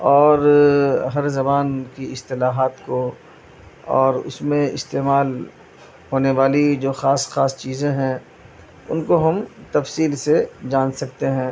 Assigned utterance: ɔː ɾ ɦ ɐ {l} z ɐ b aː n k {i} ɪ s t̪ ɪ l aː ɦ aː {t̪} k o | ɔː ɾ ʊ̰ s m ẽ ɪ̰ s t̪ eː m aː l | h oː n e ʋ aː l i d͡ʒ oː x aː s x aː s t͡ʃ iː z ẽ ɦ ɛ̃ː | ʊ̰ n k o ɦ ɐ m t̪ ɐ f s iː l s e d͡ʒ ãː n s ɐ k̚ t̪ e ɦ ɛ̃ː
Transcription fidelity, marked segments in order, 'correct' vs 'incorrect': incorrect: ɾ, correct, correct

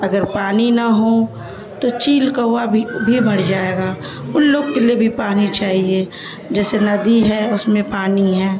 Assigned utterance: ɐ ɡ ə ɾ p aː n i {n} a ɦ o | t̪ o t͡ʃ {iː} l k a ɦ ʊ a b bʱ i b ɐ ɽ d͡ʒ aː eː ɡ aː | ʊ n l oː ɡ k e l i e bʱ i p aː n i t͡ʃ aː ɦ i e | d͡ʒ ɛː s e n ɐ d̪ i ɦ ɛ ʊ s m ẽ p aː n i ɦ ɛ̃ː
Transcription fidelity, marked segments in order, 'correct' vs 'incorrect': correct, correct

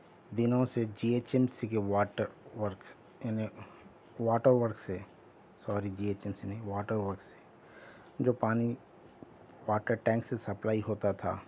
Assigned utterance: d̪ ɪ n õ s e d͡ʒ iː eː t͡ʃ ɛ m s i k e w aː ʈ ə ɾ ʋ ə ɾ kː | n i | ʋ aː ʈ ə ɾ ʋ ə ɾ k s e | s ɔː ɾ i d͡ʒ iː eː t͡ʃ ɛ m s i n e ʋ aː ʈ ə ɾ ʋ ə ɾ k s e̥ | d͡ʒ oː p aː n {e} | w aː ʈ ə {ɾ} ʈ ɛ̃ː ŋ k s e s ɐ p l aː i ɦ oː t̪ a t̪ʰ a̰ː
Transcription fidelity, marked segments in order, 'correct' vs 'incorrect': incorrect: i, correct

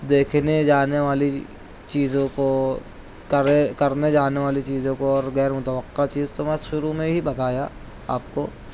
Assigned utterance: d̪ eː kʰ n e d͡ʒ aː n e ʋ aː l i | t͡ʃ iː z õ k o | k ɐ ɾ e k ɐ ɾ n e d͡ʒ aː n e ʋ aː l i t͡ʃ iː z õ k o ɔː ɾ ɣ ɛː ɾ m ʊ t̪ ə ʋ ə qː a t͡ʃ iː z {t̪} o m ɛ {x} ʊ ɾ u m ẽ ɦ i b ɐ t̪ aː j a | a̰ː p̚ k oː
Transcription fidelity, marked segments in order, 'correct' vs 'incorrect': correct, incorrect: ʃ

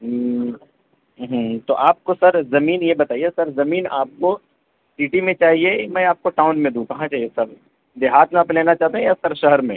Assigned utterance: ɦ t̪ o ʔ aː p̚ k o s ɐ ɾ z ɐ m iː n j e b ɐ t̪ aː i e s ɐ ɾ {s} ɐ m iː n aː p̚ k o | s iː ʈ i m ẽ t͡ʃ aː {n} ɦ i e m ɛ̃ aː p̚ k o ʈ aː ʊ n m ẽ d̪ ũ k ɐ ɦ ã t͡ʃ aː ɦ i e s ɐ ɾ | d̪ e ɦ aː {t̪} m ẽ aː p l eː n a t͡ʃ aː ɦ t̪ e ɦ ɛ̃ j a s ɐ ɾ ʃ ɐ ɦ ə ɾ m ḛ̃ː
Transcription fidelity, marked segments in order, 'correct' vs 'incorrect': incorrect: z, incorrect: none, correct

